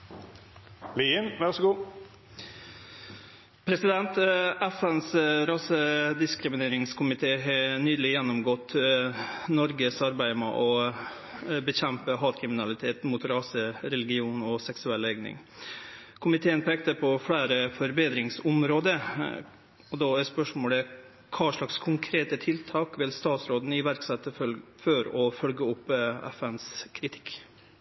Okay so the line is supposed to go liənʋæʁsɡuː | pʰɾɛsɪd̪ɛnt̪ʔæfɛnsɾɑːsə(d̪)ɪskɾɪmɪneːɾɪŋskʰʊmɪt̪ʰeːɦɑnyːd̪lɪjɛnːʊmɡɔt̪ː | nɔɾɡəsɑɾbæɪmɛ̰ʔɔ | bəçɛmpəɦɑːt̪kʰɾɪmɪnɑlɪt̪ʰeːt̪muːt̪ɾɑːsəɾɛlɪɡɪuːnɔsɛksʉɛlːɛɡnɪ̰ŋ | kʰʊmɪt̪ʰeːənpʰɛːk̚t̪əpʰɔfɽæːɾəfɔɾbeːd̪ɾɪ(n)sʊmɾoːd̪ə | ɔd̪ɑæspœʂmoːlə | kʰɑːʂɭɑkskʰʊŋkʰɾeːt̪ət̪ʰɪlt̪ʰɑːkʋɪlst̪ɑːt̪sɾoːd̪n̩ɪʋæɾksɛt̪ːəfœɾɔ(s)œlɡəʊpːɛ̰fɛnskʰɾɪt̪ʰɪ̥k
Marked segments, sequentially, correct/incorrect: correct, incorrect, incorrect

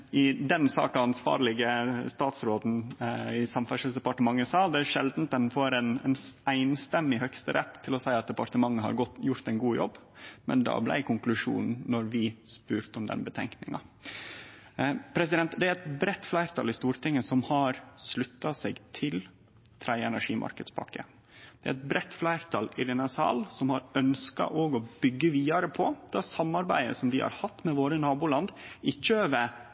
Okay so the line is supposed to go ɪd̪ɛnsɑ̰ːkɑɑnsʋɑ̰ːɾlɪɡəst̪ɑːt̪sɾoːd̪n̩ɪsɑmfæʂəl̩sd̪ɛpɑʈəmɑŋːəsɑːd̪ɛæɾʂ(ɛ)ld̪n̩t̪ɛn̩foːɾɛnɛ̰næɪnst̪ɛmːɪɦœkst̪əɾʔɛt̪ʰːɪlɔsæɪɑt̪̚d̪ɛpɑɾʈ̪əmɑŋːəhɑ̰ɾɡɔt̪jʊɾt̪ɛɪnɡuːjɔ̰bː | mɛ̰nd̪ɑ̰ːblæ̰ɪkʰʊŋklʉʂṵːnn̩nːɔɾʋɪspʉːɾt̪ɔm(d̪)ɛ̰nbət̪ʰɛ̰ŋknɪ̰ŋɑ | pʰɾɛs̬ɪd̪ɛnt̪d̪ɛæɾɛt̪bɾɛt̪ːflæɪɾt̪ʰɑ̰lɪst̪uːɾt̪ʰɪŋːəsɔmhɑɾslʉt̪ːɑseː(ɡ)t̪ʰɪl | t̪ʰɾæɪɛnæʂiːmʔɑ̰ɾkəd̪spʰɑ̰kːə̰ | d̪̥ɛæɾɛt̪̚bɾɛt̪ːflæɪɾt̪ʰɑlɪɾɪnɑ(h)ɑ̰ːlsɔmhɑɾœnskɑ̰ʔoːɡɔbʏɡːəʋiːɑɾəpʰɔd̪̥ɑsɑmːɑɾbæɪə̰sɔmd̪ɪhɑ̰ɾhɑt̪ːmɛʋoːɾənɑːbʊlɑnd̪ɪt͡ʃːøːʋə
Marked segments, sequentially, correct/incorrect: correct, correct, correct, incorrect

